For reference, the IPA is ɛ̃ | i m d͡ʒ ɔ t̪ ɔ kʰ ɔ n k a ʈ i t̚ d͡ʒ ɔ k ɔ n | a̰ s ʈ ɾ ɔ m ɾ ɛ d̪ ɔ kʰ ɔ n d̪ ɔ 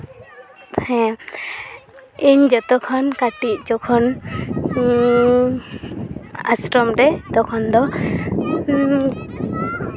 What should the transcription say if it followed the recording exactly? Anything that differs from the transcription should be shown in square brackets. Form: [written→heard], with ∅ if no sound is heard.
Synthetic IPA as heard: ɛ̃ | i [m→ɲ] d͡ʒ ɔ t̪ ɔ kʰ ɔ n k a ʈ i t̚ d͡ʒ ɔ [k→kʰ] ɔ n | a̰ s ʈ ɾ ɔ m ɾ ɛ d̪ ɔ kʰ ɔ n d̪ ɔ

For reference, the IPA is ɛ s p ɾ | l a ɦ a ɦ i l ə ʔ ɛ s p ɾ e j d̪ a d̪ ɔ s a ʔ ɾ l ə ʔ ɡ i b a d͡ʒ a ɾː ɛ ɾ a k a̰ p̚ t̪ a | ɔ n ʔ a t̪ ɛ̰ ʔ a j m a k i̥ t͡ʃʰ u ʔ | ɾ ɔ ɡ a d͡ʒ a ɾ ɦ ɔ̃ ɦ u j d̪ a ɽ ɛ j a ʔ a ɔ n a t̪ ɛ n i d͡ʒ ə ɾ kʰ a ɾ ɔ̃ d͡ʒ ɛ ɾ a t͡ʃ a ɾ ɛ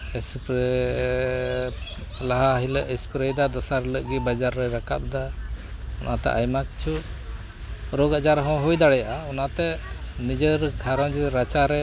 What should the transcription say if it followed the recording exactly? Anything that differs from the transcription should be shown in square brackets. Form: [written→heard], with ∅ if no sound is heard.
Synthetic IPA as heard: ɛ s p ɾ | l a ɦ a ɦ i l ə ʔ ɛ s p ɾ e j d̪ a d̪ ɔ s a [ʔ→∅] ɾ l ə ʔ ɡ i b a d͡ʒ a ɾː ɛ ɾ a k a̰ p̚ [t̪→d̪] a | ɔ n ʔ a t̪ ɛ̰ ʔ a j m a k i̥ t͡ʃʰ u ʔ | ɾ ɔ ɡ a d͡ʒ a ɾ ɦ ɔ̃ ɦ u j d̪ a ɽ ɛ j a ʔ a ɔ n a t̪ ɛ n i d͡ʒ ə ɾ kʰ a ɾ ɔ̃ d͡ʒ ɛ ɾ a t͡ʃ a ɾ ɛ

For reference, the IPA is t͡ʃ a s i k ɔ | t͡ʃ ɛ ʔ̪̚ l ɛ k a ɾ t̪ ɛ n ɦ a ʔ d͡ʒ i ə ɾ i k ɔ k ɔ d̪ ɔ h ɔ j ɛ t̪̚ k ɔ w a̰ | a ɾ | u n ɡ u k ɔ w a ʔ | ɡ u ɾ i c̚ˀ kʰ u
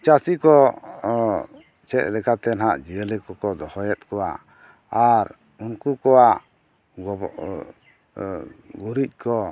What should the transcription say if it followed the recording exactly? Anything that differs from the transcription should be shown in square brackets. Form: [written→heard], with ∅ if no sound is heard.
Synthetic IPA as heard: t͡ʃ a s i k ɔ | t͡ʃ ɛ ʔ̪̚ l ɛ k a [ɾ→∅] t̪ ɛ n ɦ a ʔ d͡ʒ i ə [ɾ→l] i k ɔ k ɔ d̪ ɔ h ɔ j ɛ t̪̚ k ɔ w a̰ | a ɾ | u n [ɡ→k] u k ɔ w a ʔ | ɡ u ɾ i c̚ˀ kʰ [u→ɔ]

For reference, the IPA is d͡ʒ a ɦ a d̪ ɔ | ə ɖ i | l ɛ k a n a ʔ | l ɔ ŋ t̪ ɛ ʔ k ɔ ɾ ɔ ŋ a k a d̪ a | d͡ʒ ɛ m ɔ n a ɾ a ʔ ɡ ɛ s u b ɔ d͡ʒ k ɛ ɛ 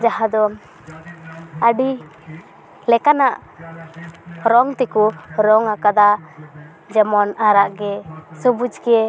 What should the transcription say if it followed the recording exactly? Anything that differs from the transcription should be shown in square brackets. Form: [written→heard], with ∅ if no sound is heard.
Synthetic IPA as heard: d͡ʒ a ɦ a d̪ ɔ | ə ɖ i | l ɛ k a n a ʔ | [l→ɾ] ɔ ŋ t̪ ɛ [ʔ→∅] k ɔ ɾ ɔ ŋ a k a d̪ a | d͡ʒ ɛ m ɔ n a ɾ a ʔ ɡ ɛ s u b [ɔ→u] d͡ʒ k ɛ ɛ

